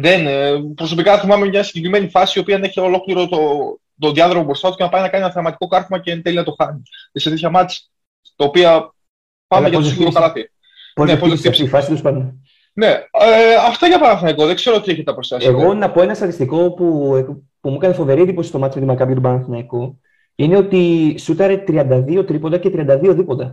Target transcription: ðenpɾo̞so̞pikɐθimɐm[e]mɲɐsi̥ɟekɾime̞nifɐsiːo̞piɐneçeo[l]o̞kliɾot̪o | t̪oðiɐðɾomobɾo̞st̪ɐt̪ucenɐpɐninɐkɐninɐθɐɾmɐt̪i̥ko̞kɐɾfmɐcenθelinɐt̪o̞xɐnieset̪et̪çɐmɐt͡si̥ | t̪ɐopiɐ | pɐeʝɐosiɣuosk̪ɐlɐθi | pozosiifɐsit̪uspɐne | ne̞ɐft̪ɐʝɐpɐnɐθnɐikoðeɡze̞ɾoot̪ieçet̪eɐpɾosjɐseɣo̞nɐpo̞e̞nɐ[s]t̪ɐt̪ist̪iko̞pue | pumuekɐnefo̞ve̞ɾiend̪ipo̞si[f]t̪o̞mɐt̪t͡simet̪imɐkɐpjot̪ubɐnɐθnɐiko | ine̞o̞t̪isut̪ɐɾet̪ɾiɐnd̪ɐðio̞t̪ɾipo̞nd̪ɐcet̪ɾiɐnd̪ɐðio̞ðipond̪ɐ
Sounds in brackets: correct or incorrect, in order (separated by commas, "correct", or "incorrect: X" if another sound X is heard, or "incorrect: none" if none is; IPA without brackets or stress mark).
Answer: correct, correct, correct, incorrect: s